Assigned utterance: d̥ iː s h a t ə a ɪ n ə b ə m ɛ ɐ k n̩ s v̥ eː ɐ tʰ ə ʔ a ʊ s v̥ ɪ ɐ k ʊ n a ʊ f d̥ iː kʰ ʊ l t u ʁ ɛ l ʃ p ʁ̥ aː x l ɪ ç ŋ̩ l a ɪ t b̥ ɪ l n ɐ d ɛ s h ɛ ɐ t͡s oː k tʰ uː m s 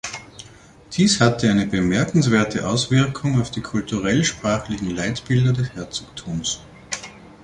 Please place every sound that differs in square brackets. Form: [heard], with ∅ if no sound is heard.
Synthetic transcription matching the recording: d̥ iː s h a t ə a ɪ n ə b ə m ɛ ɐ k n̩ s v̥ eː ɐ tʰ ə ʔ a ʊ s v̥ ɪ ɐ [kʰ] ʊ [ŋ] a ʊ f d̥ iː kʰ ʊ l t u ʁ ɛ l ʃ p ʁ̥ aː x l ɪ ç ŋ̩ l a ɪ t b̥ ɪ l [d] ɐ d ɛ s h ɛ ɐ t͡s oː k tʰ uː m s